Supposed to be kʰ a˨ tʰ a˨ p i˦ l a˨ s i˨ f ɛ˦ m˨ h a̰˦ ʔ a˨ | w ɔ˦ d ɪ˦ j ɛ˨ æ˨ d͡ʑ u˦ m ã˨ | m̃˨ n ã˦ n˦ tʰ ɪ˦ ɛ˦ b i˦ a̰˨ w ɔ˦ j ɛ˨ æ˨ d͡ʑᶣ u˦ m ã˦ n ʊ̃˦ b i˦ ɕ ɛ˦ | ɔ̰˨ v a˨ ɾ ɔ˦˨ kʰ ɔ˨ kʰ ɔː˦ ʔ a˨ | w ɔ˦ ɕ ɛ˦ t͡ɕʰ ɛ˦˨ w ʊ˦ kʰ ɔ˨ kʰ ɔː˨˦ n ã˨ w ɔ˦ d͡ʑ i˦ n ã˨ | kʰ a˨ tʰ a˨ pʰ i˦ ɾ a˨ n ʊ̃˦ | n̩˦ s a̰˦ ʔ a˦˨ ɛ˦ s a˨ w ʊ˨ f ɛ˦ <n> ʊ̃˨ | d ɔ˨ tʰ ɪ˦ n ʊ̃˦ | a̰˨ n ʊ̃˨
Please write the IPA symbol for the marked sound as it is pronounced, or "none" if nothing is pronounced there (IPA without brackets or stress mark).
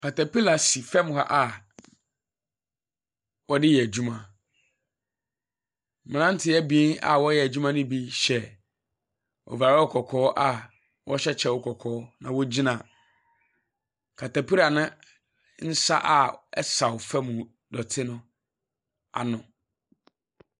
m